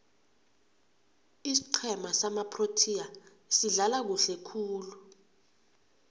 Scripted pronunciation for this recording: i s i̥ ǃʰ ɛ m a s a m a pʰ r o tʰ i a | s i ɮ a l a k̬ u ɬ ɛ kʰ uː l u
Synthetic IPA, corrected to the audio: i s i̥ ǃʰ ɛ m a s a m a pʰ r o tʰ i a | s i ɮ a l a k̬ u ɬ ɛ kʰ uː l u